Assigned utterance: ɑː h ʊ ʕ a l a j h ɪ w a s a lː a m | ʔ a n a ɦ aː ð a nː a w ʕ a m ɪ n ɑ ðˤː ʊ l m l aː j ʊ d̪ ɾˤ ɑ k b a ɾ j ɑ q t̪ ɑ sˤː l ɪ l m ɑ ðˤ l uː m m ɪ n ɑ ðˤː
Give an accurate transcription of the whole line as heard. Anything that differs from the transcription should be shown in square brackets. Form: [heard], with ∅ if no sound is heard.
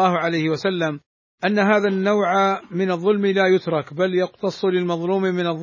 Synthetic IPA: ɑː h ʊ ʕ a l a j h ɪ w a s a lː a m | ʔ a [nː] a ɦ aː ð a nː a w ʕ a m ɪ n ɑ ðˤː ʊ l m l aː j ʊ [t̪] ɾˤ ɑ k b a [l] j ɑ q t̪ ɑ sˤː l ɪ l m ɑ ðˤ l uː m m ɪ n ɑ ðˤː